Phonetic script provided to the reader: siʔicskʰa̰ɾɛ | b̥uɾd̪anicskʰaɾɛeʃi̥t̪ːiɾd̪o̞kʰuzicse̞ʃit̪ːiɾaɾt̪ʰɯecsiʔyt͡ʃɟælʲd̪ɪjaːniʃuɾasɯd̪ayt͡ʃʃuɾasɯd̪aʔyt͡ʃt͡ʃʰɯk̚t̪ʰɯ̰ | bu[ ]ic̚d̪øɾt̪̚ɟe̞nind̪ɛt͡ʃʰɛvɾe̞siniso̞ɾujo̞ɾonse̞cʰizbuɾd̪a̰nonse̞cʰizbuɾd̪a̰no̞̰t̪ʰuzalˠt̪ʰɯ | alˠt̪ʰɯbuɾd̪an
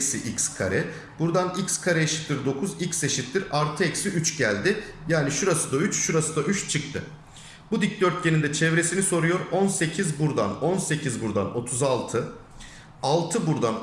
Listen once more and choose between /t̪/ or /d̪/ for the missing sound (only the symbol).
d̪